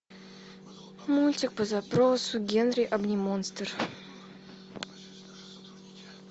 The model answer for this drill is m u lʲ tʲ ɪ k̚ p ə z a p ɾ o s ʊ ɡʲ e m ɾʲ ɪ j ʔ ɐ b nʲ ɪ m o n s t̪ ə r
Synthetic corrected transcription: m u lʲ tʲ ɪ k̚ p ə z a p ɾ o s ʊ ɡʲ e n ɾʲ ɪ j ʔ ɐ b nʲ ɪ m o n s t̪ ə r